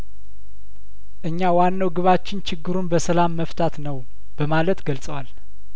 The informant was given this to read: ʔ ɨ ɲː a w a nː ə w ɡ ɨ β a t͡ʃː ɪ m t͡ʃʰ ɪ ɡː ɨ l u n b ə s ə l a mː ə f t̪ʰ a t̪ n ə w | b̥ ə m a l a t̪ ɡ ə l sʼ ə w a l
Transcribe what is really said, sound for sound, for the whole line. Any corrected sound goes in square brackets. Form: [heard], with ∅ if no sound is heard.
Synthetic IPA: ʔ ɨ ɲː a w a nː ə w ɡ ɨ β a t͡ʃː ɪ [n] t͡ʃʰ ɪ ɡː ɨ [ɾ] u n b ə s ə l a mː ə f t̪ʰ a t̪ n ə w | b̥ ə m a l [ə] t̪ ɡ ə l sʼ ə w a l